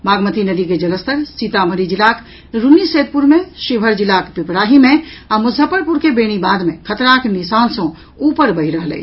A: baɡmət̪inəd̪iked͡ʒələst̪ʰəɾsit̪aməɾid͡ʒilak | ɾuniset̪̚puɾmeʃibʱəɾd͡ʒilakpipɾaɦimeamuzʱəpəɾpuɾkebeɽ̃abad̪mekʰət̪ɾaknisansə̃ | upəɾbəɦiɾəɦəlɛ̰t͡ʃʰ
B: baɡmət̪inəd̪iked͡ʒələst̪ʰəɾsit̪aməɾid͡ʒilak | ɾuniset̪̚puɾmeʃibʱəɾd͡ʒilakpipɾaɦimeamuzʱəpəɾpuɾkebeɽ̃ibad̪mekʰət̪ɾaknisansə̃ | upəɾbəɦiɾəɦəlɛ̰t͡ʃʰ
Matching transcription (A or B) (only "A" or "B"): B